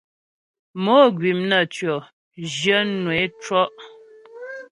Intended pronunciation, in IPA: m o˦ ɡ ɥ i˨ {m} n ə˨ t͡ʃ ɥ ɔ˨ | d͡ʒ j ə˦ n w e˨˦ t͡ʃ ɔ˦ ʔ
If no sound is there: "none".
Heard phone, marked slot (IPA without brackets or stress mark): m